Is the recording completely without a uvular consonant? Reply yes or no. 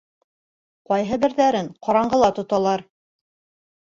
no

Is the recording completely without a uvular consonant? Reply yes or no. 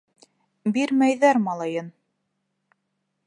yes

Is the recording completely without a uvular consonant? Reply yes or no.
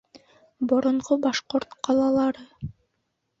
no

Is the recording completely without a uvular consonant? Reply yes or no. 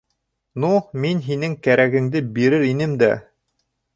yes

